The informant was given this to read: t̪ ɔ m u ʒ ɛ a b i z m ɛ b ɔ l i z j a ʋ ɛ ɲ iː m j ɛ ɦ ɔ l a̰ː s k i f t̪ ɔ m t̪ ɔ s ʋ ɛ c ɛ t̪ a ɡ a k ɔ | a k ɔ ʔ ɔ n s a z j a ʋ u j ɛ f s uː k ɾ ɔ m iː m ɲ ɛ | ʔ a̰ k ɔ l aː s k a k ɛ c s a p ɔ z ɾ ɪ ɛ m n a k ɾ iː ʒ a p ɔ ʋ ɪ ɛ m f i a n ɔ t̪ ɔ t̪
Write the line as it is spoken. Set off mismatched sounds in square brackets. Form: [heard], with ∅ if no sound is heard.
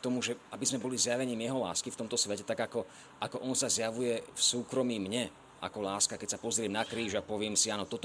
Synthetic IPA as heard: t̪ ɔ m u ʒ ɛ a b i z m ɛ b ɔ l i z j a ʋ ɛ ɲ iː m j ɛ ɦ ɔ l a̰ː s k i f t̪ ɔ m t̪ ɔ s ʋ ɛ c ɛ t̪ a ɡ a k ɔ | a k ɔ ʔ ɔ n s a z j a ʋ u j ɛ f s uː k ɾ ɔ m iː m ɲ ɛ | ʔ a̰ k ɔ l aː s k a k ɛ c s a p ɔ z ɾ ɪ ɛ m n a k ɾ iː ʒ a p ɔ ʋ ɪ ɛ m [s] i a n ɔ t̪ ɔ t̪